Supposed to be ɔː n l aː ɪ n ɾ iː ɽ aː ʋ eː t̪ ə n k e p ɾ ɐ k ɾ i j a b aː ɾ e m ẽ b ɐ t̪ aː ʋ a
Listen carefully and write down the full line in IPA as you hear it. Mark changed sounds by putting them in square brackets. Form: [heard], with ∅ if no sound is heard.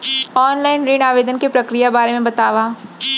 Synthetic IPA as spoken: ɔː n l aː ɪ n ɾ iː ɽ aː ʋ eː [d̪] ə n k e p ɾ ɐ k ɾ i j a b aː ɾ e m ẽ b ɐ t̪ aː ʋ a

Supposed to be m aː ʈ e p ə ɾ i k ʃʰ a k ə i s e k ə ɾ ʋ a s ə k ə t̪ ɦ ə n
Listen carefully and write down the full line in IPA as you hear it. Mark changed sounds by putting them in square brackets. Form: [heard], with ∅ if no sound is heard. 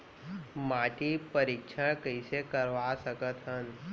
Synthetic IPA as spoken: m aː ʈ [i] p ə ɾ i k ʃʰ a k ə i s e k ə ɾ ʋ a s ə k ə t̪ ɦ ə n

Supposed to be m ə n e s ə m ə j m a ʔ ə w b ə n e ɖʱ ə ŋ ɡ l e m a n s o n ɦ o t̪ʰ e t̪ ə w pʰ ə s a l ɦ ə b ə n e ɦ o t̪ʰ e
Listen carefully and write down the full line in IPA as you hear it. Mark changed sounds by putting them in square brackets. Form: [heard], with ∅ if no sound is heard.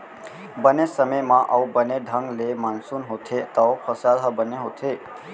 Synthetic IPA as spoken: [b] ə n e s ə m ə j m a ʔ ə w b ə n e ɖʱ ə ŋ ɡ l e m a n s [u] n ɦ o t̪ʰ e t̪ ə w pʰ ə s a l ɦ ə b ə n e ɦ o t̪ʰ e

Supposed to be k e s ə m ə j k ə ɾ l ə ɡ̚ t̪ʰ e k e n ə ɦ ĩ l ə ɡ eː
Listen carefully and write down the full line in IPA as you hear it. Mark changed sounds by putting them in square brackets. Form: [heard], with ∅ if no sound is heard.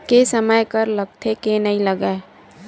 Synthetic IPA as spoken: k e s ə m ə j k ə ɾ l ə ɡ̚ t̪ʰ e k e n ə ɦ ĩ l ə ɡ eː

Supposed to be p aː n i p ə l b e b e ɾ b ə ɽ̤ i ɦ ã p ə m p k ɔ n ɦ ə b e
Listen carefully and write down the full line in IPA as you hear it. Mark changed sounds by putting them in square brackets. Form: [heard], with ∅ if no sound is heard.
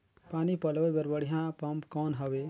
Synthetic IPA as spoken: p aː n i p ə l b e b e ɾ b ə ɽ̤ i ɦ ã p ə m p k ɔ n ɦ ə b e

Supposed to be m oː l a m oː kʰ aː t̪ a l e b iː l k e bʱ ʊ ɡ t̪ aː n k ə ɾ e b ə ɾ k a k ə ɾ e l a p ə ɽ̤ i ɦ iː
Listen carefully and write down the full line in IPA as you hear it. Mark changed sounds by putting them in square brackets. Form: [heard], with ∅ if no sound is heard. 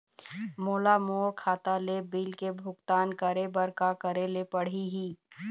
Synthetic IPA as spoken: m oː l a m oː kʰ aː t̪ a l e b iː l k e bʱ ʊ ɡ t̪ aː n k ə ɾ e b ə ɾ k a k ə ɾ e l [e] p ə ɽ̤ i ɦ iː

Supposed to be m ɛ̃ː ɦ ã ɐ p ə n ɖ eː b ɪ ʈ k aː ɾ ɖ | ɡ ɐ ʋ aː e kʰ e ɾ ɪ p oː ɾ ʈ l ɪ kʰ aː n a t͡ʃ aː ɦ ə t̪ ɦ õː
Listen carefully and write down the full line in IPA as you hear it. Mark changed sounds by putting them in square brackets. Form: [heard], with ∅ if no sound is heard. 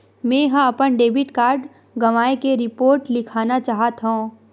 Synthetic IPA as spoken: m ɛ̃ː ɦ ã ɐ p ə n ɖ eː b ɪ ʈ k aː ɾ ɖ | ɡ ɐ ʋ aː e [k] e ɾ ɪ p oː ɾ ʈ l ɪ kʰ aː n a t͡ʃ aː ɦ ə t̪ ɦ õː

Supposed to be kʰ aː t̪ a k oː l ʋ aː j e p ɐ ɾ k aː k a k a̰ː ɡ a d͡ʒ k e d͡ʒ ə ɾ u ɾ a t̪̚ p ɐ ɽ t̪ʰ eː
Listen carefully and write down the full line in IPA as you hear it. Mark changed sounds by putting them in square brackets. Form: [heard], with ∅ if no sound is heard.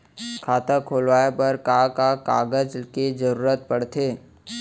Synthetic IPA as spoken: kʰ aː t̪ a [kʰ] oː l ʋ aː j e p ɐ ɾ k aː k a k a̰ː ɡ [ə] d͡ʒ k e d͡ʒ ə ɾ [uː] ɾ [ə] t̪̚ p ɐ ɽ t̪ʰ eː

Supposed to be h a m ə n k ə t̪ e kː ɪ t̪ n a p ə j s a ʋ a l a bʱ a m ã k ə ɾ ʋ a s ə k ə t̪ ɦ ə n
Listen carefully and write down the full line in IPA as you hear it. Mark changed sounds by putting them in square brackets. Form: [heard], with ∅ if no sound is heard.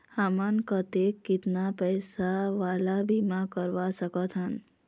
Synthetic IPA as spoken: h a m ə n k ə t̪ e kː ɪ t̪ n a p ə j s a ʋ a l a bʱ [i] m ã k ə ɾ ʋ a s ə k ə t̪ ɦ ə n

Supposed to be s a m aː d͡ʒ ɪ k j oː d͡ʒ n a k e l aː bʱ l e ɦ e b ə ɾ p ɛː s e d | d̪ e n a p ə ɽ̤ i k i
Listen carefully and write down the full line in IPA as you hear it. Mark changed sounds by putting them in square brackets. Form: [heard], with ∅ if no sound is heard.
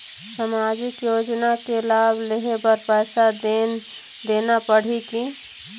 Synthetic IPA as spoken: s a m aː d͡ʒ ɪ k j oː d͡ʒ n a k e l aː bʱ l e ɦ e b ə ɾ p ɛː s [a] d | d̪ e n a p ə ɽ̤ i k i

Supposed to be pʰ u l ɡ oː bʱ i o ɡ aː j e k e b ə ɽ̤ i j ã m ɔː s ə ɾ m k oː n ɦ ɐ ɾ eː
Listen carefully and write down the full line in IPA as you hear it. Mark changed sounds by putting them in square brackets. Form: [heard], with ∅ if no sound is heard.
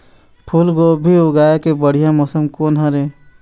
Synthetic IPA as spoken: pʰ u l ɡ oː bʱ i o ɡ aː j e k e b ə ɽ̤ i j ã m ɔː s ə [∅] m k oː n ɦ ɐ ɾ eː

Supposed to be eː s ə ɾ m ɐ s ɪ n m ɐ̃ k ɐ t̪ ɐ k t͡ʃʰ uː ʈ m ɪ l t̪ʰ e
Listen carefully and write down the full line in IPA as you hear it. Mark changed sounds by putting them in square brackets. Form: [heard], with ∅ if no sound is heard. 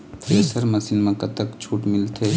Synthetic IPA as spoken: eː s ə ɾ m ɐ s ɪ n m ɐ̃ k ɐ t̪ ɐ k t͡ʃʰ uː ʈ m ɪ l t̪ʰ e

